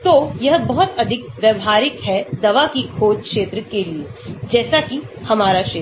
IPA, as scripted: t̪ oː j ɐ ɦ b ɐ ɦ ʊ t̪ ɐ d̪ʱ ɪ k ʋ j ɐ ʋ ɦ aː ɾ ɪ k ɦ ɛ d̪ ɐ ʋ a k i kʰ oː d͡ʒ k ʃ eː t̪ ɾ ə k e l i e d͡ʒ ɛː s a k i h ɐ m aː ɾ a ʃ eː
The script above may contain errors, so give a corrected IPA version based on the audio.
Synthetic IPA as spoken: t̪ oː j ɐ ɦ b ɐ ɦ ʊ t̪ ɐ d̪ʱ ɪ k ʋ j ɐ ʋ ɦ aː ɾ ɪ k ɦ ɛ d̪ ɐ ʋ a k i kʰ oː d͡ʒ k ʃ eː t̪ ɾ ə k e l i e d͡ʒ ɛː s a k i h ɐ m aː ɾ a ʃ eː